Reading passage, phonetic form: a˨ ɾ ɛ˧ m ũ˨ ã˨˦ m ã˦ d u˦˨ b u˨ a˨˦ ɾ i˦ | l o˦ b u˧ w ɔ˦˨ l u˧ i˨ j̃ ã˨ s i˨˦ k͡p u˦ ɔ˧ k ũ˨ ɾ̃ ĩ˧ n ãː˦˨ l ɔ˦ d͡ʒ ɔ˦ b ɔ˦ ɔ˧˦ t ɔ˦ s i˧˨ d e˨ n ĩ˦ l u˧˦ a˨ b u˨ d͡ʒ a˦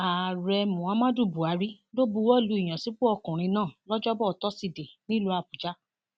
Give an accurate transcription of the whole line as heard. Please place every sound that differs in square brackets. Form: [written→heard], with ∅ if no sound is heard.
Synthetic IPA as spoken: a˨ ɾ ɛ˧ m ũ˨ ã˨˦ m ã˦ d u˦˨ b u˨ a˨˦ ɾ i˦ | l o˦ b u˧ w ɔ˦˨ l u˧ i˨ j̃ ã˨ s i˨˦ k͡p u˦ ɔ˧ k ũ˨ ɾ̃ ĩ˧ n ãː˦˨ l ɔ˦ d͡ʒ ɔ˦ b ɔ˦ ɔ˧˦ t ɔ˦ s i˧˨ d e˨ n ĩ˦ l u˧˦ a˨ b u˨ d͡ʒ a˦